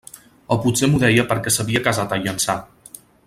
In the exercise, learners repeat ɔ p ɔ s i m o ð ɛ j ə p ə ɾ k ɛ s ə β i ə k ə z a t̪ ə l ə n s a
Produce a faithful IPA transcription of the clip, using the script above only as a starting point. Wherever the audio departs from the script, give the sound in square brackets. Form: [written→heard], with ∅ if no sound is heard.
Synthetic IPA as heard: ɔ p [ɔ→u] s [i→e] m [o→u] ð ɛ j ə p ə ɾ k ɛ s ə β i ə k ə z a t̪ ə [l→ʎ] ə n s a